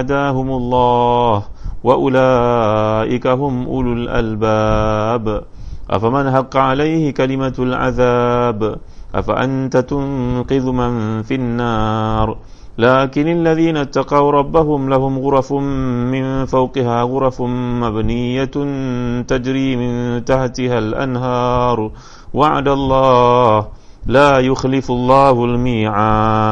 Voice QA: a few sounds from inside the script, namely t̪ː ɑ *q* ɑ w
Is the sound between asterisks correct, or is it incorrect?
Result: correct